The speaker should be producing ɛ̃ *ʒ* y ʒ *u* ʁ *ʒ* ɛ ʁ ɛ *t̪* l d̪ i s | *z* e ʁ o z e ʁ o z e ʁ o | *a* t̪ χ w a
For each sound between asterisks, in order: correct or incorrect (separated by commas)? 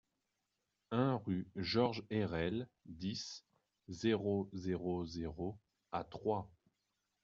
incorrect, incorrect, correct, incorrect, correct, correct